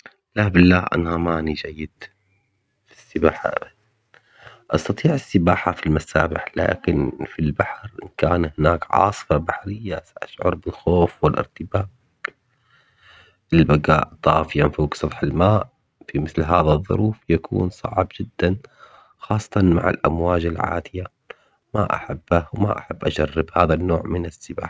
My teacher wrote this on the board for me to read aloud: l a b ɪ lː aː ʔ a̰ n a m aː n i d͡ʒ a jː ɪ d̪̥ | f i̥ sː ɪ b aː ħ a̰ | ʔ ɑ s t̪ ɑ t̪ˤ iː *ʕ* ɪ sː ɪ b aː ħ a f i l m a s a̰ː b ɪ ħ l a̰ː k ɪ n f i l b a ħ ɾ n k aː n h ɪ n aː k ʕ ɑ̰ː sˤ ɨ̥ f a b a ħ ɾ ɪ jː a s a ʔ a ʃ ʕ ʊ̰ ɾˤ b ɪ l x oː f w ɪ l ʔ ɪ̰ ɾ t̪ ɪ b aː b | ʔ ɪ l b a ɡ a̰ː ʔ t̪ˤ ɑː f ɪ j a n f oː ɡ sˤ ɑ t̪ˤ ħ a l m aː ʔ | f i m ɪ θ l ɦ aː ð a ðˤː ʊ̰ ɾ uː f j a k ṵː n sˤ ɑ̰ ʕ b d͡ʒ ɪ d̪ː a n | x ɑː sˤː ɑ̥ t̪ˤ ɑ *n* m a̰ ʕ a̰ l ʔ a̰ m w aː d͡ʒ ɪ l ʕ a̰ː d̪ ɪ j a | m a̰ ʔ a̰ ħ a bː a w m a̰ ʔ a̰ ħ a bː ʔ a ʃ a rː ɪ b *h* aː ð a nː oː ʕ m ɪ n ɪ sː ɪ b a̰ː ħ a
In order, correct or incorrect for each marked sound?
correct, correct, correct

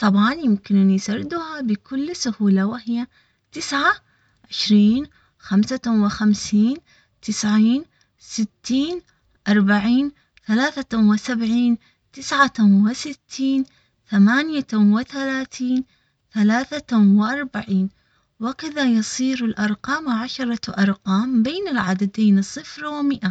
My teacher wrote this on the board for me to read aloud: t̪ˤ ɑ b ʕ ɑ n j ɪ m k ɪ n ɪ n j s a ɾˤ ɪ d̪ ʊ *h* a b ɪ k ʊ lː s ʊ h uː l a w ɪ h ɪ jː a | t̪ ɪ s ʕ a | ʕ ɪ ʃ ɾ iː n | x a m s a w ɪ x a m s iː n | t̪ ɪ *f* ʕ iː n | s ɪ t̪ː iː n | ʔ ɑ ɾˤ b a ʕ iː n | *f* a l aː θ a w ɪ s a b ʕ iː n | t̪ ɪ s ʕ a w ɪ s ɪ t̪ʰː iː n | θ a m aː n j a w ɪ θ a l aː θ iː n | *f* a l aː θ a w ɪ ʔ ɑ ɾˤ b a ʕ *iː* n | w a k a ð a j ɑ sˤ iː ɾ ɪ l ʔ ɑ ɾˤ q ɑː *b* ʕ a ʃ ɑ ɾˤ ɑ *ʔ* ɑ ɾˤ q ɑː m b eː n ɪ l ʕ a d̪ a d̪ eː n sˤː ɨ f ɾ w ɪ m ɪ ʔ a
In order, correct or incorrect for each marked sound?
correct, incorrect, incorrect, incorrect, correct, incorrect, correct

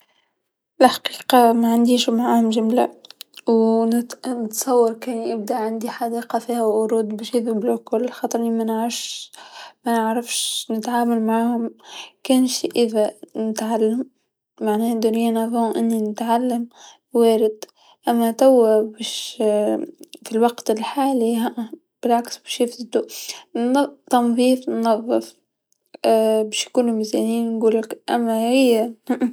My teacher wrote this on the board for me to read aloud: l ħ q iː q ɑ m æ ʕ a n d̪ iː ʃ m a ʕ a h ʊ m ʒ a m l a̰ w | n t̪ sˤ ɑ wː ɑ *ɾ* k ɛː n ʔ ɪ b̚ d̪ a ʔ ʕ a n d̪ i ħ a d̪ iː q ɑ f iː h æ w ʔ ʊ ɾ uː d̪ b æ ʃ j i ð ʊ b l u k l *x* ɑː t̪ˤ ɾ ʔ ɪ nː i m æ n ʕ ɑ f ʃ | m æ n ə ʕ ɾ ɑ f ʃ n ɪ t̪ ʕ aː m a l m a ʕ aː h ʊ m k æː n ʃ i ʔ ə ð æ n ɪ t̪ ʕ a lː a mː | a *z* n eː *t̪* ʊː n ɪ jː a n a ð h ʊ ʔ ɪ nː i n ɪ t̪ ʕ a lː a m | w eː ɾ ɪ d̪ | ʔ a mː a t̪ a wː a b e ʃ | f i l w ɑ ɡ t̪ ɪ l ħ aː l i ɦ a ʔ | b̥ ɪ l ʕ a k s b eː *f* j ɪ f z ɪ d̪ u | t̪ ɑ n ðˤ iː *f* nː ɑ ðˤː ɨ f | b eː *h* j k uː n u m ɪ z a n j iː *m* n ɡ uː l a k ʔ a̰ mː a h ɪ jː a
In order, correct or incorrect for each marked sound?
correct, correct, incorrect, incorrect, incorrect, correct, incorrect, incorrect

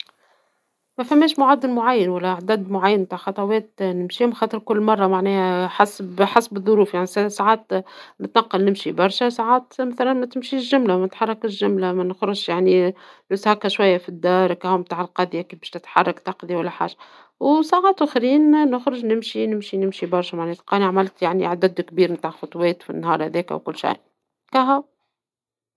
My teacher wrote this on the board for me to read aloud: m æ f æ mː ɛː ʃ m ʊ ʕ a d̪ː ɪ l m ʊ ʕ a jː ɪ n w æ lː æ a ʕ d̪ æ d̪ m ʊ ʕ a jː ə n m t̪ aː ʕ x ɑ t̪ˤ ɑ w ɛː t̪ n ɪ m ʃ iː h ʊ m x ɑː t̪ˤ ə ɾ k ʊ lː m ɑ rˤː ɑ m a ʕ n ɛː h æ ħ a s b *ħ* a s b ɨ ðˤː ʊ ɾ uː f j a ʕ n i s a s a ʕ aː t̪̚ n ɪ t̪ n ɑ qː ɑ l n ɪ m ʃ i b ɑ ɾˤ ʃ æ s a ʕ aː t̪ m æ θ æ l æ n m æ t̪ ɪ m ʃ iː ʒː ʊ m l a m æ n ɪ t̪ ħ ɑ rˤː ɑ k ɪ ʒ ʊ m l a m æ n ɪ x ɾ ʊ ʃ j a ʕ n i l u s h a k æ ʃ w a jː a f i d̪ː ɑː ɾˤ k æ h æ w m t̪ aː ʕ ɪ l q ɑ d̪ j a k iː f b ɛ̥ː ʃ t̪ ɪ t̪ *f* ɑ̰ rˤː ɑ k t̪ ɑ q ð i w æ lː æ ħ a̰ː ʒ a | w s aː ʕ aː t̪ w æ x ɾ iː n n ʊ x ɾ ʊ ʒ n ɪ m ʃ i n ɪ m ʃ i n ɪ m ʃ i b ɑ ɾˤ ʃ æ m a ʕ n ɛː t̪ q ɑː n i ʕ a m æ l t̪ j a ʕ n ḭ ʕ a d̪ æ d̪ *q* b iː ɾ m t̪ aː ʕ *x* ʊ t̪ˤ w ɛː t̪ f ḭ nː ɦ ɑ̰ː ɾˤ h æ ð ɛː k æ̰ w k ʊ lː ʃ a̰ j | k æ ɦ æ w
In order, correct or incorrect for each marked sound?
correct, incorrect, incorrect, correct

